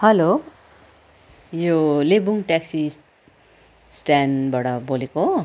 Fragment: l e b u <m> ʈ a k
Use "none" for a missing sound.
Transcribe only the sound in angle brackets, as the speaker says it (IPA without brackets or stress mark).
ŋ